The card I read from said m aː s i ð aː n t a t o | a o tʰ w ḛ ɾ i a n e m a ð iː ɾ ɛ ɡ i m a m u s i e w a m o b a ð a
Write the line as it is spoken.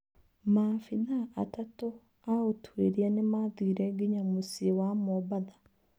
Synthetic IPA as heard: m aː f i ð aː t a t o | a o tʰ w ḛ ɾ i a n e m a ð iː ɾ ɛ ɡ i ɲ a m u s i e w a m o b a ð a